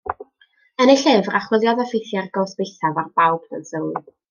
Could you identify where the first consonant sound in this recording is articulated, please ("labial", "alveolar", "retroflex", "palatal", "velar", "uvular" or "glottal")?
alveolar